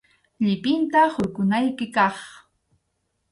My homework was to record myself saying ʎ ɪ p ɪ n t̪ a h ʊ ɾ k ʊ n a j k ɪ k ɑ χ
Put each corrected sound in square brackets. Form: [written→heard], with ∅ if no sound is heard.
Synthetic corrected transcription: ʎ ɪ p ɪ n t̪ a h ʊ ɾ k ʊ n a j k ɪ k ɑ χ

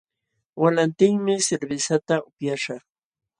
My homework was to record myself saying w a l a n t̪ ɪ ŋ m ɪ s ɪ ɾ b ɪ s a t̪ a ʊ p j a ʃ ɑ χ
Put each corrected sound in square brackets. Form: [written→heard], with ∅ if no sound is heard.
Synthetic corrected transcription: w a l a n t̪ ɪ ŋ m ɪ s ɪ ɾ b ɪ s a t̪ a ʊ p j a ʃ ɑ χ

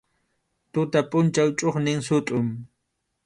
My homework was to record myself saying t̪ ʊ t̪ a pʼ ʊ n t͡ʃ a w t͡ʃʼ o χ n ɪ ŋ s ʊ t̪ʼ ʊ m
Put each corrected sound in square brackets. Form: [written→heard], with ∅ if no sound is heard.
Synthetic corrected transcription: t̪ ʊ t̪ a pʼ ʊ n t͡ʃ a w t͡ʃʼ o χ n ɪ ŋ s ʊ t̪ʼ ʊ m

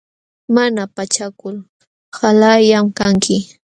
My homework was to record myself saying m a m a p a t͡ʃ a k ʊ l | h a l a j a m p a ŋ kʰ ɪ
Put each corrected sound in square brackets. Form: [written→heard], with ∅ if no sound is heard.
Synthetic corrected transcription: m a [m→n] a p a t͡ʃ a k ʊ l | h a l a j a m [p→k] a ŋ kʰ ɪ

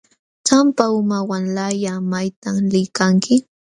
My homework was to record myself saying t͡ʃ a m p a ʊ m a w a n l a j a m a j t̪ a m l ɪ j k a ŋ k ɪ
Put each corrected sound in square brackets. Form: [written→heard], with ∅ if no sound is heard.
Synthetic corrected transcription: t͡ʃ a m p a ʊ m a w a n l a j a m a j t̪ a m l ɪ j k a ŋ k ɪ

